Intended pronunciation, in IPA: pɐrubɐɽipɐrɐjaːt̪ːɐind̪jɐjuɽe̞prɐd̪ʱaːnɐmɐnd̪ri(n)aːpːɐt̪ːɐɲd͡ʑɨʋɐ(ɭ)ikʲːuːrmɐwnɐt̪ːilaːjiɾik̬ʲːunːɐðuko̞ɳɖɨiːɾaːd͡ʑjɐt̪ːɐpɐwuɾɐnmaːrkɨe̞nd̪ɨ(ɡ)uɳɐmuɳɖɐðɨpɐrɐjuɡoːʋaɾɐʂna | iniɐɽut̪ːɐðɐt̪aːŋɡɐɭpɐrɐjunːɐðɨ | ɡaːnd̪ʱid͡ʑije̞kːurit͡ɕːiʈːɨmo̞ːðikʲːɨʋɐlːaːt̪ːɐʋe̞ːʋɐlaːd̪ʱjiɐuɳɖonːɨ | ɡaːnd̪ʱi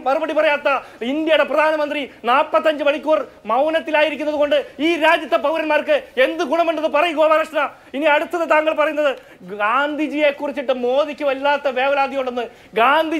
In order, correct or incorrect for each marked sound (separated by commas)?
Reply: correct, correct, correct